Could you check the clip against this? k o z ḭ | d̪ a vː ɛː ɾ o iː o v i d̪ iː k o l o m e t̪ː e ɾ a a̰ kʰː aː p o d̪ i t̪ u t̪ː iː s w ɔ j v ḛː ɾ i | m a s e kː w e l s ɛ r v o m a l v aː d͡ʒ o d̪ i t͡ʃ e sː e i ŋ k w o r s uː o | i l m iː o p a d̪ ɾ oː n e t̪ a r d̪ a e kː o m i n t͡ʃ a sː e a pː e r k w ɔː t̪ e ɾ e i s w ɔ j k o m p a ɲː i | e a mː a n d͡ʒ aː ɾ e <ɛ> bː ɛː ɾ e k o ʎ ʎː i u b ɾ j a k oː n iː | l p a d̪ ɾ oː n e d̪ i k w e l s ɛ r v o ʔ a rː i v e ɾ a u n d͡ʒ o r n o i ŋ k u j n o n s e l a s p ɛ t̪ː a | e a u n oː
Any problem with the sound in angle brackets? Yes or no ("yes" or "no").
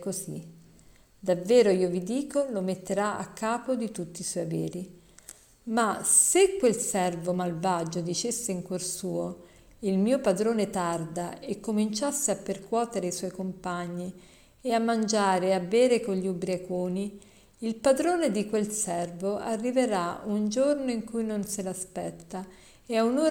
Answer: yes